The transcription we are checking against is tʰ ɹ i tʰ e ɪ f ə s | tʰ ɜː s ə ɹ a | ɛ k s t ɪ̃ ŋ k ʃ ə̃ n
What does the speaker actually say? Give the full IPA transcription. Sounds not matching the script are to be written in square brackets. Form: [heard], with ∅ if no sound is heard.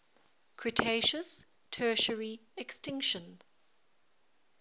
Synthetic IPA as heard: [kʰ] ɹ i tʰ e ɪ [ʃ] ə s | tʰ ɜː [ʃ] ə ɹ [i] | ɛ k s t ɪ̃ ŋ k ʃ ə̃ n

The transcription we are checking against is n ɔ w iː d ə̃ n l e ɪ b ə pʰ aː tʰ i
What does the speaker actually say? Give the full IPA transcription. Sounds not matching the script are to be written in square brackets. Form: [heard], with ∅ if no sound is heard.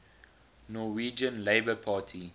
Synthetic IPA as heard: n ɔ w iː [d͡ʒ] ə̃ n l e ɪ b ə pʰ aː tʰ i

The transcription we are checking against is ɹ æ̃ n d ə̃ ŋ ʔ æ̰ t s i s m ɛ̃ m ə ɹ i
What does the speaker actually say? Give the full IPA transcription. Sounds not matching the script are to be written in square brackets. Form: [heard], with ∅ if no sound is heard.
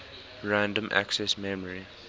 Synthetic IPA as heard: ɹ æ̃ n d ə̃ [m] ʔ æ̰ [k] s [ɛ] s m [ɛ] m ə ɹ i

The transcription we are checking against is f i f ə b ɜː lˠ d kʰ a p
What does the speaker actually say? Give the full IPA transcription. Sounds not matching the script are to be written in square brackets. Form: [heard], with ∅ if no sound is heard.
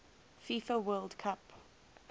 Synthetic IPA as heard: f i f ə [w] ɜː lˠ d kʰ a p

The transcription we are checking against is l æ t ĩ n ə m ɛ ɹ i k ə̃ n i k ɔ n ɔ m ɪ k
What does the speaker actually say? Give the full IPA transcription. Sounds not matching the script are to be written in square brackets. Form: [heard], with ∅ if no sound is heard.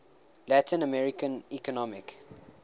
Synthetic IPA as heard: l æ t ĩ n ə m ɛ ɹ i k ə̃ n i k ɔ n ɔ m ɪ k

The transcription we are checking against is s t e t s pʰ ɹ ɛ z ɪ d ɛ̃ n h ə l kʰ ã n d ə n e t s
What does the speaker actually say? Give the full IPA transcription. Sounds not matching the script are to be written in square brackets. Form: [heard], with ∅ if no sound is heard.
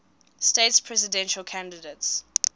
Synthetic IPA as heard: s t e t s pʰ ɹ ɛ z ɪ d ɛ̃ n [ʃ] ə l kʰ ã n d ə [d] e t s

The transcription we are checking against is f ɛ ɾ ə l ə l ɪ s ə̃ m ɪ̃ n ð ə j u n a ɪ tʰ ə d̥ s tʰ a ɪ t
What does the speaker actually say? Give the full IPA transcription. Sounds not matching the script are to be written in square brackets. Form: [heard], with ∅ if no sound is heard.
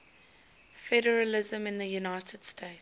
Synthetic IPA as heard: f ɛ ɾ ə [ɹ] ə l ɪ [z] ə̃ m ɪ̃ n ð ə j u n a ɪ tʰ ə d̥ s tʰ [e] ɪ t

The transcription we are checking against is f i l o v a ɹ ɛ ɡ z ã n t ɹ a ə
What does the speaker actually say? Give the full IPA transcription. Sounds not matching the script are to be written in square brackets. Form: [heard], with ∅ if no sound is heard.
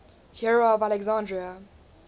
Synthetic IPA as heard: [h] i [ɹ] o v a [l] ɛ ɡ z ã n [d] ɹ [i] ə

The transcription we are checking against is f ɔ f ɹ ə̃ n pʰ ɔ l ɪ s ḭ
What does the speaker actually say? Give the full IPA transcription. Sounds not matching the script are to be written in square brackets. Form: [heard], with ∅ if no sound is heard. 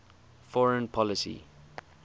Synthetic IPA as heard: f ɔ [∅] ɹ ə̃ n pʰ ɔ l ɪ s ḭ

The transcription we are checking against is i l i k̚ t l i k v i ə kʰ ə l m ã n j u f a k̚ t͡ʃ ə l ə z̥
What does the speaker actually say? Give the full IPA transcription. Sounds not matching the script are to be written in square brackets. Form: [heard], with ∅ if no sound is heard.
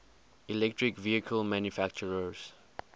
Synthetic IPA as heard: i l [ɛ] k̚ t [ɹ] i k v i ə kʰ ə l m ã n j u f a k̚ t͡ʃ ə [ɹ] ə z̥

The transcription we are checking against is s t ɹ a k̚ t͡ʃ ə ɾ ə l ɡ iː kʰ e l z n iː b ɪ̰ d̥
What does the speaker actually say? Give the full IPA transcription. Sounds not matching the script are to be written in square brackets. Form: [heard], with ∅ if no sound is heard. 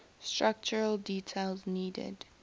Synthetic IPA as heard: s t ɹ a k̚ t͡ʃ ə [ɹ] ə l [d] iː [tʰ] e l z n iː [d] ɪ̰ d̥

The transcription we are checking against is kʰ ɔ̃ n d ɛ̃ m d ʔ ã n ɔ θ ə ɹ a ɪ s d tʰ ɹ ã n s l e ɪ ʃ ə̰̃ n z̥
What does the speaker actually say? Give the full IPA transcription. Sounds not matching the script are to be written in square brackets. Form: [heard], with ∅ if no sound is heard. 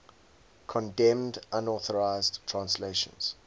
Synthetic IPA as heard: kʰ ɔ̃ n d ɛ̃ m d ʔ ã n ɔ θ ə ɹ a ɪ [z] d tʰ ɹ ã n s l e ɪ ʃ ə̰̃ n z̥

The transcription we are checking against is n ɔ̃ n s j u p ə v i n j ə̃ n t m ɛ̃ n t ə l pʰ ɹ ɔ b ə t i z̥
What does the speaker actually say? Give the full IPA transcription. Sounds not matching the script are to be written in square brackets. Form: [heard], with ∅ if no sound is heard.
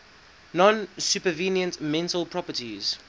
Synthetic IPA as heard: n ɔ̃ n s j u p ə v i n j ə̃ n t m ɛ̃ n t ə l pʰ ɹ ɔ [p] ə t i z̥

